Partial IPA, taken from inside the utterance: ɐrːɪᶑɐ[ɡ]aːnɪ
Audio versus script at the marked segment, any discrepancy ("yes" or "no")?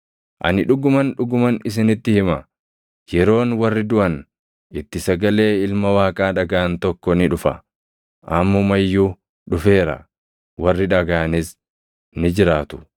no